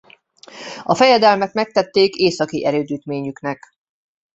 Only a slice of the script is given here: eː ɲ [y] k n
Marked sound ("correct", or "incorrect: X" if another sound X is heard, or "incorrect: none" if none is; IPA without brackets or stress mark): correct